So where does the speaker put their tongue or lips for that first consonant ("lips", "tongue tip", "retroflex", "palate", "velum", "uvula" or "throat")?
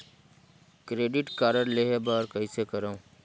velum